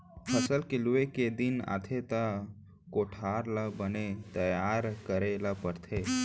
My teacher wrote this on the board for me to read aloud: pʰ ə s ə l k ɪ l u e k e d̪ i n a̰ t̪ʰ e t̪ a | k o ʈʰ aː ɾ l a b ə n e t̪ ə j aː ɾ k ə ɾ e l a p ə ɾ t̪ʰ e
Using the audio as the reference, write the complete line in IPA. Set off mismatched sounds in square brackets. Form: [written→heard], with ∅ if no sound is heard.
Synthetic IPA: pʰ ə s ə l k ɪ l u e k e d̪ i n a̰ t̪ʰ e t̪ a | k o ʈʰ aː ɾ l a b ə n e t̪ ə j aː ɾ k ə ɾ e l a p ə ɾ t̪ʰ e